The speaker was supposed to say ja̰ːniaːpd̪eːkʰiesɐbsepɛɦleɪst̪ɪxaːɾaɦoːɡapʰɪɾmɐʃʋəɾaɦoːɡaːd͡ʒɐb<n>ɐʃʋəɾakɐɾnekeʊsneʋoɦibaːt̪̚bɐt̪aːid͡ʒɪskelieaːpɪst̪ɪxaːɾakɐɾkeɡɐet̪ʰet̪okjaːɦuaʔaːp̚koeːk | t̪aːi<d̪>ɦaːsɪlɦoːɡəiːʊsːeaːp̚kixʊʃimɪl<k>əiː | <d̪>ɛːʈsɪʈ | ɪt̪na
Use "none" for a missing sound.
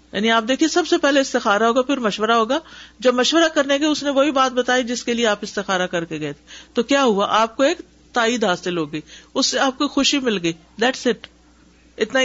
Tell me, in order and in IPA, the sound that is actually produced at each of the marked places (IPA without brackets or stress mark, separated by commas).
m, d̪, ɡ, d̪